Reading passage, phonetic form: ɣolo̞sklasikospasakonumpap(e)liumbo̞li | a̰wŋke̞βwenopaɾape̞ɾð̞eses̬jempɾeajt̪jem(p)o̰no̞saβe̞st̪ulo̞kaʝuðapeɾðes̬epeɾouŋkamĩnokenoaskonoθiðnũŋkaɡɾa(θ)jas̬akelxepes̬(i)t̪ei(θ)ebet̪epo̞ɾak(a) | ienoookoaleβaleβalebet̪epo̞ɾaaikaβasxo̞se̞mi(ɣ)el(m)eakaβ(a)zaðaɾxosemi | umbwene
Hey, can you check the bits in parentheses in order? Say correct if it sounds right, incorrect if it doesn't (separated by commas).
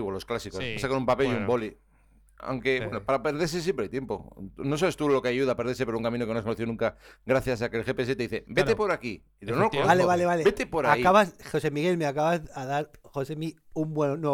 correct, correct, correct, incorrect, correct, incorrect, correct, correct, correct